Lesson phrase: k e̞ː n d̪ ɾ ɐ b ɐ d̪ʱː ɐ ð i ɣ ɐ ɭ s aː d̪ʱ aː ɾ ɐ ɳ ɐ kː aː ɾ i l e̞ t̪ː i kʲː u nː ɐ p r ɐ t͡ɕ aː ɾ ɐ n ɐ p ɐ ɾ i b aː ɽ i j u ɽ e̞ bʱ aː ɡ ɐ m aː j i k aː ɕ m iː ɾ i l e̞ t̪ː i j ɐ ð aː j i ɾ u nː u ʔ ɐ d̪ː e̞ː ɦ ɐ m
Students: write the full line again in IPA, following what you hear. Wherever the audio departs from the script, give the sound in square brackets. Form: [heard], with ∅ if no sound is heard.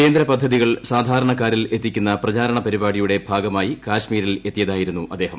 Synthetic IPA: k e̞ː n d̪ ɾ ɐ [p] ɐ d̪ʱː ɐ ð i ɣ ɐ ɭ s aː d̪ʱ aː ɾ ɐ ɳ ɐ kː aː ɾ i l e̞ t̪ː i kʲː u nː ɐ p r ɐ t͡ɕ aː ɾ ɐ [ɳ] ɐ p ɐ ɾ i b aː ɽ i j u ɽ e̞ bʱ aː ɡ ɐ m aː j i k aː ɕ m iː ɾ i l e̞ t̪ː i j ɐ ð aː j i ɾ u nː u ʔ ɐ d̪ː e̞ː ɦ ɐ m